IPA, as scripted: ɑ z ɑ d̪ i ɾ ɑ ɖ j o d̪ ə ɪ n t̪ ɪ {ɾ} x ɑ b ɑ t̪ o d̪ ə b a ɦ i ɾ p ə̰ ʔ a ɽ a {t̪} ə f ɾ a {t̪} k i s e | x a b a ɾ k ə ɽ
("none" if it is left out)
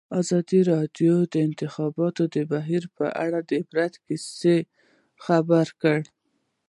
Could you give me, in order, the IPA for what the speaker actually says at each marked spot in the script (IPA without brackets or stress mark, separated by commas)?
none, d̪, t̪